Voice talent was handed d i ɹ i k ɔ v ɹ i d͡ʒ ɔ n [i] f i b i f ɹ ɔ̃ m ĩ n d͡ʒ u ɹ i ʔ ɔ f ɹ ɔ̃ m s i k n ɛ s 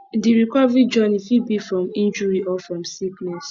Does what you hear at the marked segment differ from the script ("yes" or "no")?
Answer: no